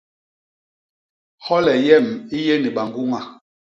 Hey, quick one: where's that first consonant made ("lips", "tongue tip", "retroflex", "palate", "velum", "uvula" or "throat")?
throat